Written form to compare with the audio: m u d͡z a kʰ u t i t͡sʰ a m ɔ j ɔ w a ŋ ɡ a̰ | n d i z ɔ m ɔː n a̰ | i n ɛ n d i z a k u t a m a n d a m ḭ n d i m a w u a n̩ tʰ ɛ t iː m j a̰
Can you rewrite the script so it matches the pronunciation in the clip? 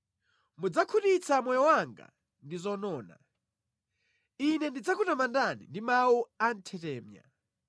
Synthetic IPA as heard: m u d͡z a kʰ u t i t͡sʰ a m ɔ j ɔ w a ŋ ɡ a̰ | n d i z ɔ n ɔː n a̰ | i n ɛ n d i d͡z a k u t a m a n d a n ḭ n d i m a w u a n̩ tʰ ɛ t ɛː m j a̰